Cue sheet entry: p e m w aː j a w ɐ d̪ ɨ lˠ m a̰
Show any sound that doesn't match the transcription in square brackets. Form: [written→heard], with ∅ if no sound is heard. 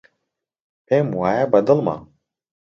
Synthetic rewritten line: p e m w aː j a [w→b] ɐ d̪ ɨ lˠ m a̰